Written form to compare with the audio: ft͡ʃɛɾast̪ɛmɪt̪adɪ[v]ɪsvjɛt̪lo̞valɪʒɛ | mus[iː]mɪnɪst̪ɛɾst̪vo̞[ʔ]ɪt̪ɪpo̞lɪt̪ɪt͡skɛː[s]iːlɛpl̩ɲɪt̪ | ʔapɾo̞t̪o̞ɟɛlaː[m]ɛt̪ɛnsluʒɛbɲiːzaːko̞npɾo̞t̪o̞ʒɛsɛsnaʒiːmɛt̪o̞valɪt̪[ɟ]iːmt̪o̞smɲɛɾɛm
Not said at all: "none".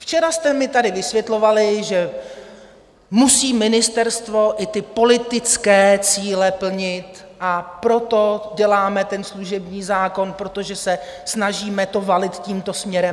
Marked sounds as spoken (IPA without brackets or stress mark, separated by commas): v, iː, ʔ, t͡s, m, c